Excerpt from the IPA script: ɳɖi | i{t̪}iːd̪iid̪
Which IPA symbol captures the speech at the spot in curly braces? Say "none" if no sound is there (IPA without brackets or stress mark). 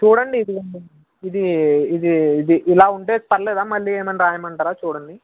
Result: d̪